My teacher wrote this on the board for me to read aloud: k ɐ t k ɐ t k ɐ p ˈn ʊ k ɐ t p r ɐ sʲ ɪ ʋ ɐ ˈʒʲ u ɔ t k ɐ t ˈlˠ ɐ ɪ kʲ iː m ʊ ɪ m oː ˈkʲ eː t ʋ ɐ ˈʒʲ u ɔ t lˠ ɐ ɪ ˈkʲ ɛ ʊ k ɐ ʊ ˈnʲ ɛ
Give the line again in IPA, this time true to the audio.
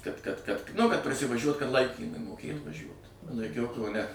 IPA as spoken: k ɐ t k ɐ t k ɐ t ˈn ʊ k ɐ t p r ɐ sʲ ɪ ʋ ɐ ˈʒʲ u ɔ t k ɐ t ˈlˠ ɐ ɪ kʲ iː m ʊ ɪ m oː ˈkʲ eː t ʋ ɐ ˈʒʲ u ɔ t lˠ ɐ ɪ ˈkʲ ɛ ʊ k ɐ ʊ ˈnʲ ɛ